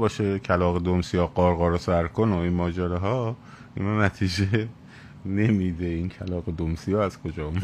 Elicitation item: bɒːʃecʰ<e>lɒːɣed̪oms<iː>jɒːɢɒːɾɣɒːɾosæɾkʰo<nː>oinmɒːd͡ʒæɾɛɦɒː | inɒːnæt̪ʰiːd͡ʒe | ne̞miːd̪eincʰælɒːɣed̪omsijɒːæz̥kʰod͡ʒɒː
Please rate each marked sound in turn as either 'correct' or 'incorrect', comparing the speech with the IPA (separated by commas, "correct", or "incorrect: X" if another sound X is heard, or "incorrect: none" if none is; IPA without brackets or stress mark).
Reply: incorrect: æ, incorrect: i, incorrect: n